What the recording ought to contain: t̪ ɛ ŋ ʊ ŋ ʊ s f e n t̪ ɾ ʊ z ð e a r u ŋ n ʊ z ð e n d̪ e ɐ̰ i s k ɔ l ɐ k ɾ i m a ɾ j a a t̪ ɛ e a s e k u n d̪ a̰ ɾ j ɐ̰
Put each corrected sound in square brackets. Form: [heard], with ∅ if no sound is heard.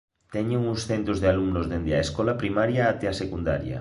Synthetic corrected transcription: t̪ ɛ [ɲ] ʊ ŋ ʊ s [θ] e n t̪ ɾ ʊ z ð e a [l] u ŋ n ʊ z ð e n d̪ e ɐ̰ [e] s k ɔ l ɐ [p] ɾ i m a ɾ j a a t̪ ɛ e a s e k u n d̪ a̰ ɾ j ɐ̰